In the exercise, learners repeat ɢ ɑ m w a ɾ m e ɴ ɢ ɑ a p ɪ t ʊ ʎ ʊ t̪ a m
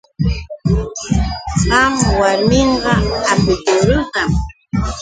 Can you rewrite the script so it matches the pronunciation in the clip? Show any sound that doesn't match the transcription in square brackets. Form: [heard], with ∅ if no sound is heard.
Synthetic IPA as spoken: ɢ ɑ m w a ɾ m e ɴ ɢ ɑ a p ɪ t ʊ [ɾ] ʊ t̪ a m